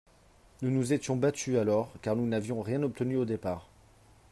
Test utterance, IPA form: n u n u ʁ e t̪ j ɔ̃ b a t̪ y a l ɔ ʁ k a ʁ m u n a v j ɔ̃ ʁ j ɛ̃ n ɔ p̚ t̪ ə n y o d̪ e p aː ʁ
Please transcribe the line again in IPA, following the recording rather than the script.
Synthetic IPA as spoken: n u n u z e t̪ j ɔ̃ b a t̪ y a l ɔ ʁ k a ʁ n u n a v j ɔ̃ ʁ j ɛ̃ n ɔ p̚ t̪ ə n y o d̪ e p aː ʁ

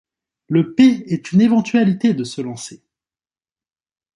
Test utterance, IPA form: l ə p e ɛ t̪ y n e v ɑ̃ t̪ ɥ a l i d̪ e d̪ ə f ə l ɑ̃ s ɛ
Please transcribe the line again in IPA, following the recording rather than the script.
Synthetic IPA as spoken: l ə p e ɛ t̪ y n e v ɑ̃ t̪ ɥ a l i t̪ e d̪ ə s ə l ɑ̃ s e

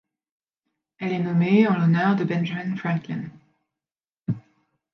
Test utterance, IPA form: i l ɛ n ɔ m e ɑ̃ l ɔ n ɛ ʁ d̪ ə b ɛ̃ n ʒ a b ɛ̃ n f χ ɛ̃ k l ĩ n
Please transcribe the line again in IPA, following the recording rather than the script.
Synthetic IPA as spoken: ɛ l ɛ n ɔ m e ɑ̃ l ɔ n œ ʁ d̪ ə b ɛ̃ n ʒ a m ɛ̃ n f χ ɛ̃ k l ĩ n

